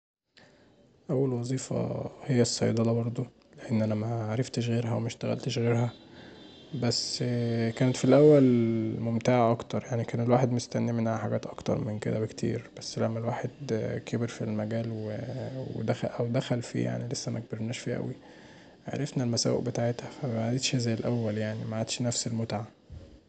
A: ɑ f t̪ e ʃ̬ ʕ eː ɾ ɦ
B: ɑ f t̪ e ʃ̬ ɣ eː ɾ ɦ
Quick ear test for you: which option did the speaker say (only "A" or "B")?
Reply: B